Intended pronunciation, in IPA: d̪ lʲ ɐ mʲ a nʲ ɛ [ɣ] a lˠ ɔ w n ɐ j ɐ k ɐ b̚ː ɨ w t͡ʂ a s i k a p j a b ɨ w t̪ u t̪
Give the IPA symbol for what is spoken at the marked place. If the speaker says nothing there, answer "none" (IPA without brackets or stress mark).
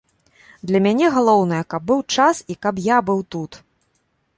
ɣ